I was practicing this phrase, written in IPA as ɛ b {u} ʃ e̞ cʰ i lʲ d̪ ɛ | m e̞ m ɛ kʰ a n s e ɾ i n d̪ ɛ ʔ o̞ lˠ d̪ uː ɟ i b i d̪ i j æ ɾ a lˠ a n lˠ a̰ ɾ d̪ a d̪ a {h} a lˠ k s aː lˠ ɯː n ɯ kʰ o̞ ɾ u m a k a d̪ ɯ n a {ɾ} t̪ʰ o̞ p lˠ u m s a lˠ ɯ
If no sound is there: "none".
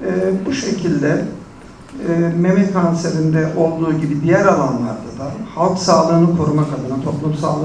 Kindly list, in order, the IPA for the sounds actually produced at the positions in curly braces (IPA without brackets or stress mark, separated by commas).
u, h, none